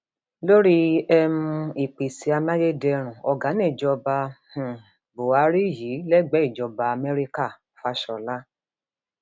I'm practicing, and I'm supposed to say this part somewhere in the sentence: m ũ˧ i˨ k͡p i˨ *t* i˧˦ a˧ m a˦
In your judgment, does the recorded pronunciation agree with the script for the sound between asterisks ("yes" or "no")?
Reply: no